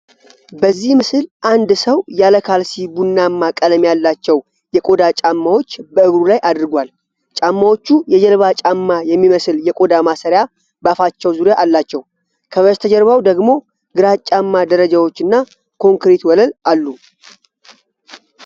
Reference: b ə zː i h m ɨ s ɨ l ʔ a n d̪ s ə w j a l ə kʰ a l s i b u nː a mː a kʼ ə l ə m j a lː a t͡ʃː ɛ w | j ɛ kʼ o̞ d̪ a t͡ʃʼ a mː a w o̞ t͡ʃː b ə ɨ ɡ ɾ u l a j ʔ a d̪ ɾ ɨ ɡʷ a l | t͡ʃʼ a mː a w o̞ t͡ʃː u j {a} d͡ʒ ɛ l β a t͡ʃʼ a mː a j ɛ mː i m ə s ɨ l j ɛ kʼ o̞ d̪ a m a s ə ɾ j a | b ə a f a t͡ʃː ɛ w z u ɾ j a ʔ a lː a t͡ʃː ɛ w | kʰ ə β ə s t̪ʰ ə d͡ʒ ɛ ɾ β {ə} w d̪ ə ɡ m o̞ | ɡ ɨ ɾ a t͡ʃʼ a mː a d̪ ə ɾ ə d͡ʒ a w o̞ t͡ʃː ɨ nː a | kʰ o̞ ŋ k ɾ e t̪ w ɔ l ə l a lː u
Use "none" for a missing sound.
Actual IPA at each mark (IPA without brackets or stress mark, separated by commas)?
ɛ, a